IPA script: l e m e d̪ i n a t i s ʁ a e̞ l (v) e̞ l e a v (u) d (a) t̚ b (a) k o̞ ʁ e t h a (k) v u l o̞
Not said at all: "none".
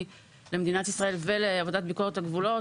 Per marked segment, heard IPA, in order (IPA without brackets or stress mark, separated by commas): v, o, a, i, ɡ